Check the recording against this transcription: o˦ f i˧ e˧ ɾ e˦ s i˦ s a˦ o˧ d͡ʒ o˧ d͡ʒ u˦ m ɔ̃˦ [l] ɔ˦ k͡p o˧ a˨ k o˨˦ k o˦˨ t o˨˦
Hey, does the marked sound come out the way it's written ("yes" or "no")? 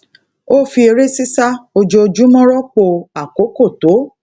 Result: no